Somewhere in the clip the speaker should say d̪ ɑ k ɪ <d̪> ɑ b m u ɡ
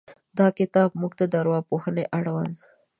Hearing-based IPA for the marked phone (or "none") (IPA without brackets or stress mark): t̪